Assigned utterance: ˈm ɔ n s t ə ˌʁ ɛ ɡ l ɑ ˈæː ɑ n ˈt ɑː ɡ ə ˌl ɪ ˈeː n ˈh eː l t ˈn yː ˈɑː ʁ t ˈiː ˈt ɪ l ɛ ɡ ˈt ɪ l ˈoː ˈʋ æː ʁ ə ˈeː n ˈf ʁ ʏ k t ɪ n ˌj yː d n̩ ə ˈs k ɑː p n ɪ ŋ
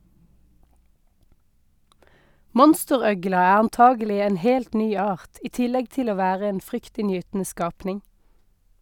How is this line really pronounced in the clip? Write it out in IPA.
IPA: ˈm ɔ n s t ə ˌʁ œ ɡ l ɑ ˈæː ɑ n ˈt ɑː ɡ ə ˌl ɪ ˈeː n ˈh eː l t ˈn yː ˈɑː ʁ t ˈiː ˈt ɪ l ɛ ɡ ˈt ɪ l ˈoː ˈʋ æː ʁ ə ˈeː n ˈf ʁ ʏ k t ɪ n ˌj yː t n̩ ə ˈs k ɑː p n ɪ ŋ